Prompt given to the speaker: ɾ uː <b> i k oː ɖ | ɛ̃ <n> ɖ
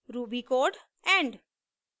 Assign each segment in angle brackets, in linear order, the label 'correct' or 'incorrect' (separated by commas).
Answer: correct, incorrect